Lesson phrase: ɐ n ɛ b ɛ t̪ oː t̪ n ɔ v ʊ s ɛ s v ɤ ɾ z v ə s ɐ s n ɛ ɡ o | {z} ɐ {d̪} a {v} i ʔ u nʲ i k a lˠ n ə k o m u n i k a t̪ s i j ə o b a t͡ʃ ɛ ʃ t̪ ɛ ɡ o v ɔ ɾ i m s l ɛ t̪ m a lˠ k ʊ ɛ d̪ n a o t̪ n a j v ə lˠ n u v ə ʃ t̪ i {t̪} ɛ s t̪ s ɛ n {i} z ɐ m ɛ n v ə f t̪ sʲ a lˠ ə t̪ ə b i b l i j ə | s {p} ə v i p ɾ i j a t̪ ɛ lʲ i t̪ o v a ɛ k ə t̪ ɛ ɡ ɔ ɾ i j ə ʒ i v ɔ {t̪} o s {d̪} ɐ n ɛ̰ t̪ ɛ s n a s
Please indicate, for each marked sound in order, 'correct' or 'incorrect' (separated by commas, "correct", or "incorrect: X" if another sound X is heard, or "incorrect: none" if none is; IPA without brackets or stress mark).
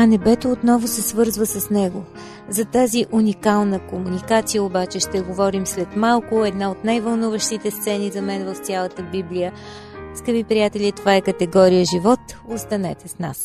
correct, incorrect: t̪, incorrect: z, correct, correct, incorrect: k, correct, incorrect: t̪